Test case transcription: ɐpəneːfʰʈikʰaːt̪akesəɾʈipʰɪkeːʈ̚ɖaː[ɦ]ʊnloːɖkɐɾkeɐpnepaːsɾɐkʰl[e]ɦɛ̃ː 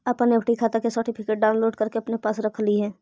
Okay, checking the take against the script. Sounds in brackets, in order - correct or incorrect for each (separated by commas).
incorrect, incorrect